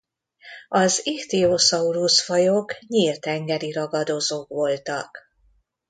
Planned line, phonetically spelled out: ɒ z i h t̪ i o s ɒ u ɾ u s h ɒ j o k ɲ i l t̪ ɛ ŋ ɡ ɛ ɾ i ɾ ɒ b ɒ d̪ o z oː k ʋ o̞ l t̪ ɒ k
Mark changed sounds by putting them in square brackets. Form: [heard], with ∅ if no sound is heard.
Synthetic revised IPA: ɒ z i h t̪ i o s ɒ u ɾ u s [f] ɒ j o k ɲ i l t̪ ɛ ŋ ɡ ɛ ɾ i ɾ ɒ [ɡ] ɒ d̪ o z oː k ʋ o̞ l t̪ ɒ k